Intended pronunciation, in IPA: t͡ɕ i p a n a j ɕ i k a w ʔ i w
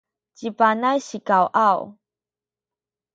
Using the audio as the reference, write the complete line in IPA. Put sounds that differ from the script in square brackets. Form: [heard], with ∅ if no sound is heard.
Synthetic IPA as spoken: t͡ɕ i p a n a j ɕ i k a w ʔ [a] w

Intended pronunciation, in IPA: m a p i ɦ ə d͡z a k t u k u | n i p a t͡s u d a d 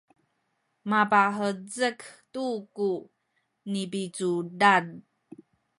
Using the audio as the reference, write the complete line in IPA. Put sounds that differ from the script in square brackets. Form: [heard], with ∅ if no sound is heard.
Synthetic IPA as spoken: m a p [a] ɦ ə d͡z [ə] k t u k u | n i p [i] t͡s u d a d

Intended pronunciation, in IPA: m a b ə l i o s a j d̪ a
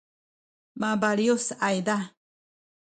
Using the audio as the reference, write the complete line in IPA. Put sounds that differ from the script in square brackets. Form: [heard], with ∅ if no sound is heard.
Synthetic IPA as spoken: m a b [a] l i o s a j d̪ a

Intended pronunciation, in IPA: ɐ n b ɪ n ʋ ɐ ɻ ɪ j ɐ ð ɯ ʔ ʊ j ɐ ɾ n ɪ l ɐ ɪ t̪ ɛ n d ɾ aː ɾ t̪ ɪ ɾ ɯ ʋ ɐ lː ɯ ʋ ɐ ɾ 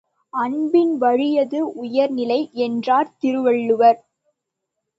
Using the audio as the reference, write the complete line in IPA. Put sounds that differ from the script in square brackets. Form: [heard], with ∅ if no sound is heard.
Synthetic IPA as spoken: ɐ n b ɪ n ʋ ɐ ɻ ɪ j ɐ ð ɯ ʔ ʊ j ɐ ɾ n ɪ l ɐ ɪ [∅] ɛ n d [r] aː ɾ t̪ ɪ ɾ ɯ ʋ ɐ [ɭː] ɯ ʋ ɐ ɾ

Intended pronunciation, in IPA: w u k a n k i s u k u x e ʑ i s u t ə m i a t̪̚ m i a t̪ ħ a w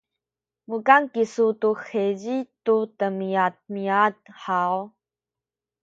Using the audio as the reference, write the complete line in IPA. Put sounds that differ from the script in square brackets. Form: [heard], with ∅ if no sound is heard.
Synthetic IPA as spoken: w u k a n k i s u [t] u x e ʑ i [t] u t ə m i a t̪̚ m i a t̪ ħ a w

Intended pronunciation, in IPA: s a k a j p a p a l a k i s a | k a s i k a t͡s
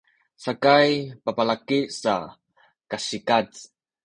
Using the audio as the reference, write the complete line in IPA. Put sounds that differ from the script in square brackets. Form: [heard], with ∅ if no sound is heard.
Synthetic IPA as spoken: s a k a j p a p a l a k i s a | k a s i k a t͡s

